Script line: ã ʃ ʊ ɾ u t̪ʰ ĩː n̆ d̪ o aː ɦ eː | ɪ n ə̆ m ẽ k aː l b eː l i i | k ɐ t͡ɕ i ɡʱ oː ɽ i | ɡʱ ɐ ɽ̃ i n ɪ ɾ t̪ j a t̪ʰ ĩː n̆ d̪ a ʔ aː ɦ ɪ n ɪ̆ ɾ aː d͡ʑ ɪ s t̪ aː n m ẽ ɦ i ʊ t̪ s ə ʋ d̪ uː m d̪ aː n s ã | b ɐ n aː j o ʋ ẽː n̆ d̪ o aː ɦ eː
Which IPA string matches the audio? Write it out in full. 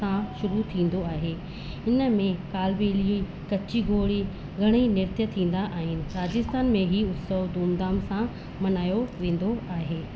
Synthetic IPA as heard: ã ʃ ʊ ɾ u t̪ʰ ĩː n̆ d̪ o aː ɦ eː | ɪ n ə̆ m ẽ k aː l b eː l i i | k ɐ t͡ɕ i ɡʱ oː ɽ i | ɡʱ ɐ ɽ̃ i n ɪ ɾ t̪ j ə t̪ʰ ĩː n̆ d̪ a ʔ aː ɦ ɪ n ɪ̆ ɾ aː d͡ʑ ɪ s t̪ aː n m ẽ ɦ i ʊ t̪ s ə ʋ d̪ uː m d̪ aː m s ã | m ɐ n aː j o ʋ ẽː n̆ d̪ o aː ɦ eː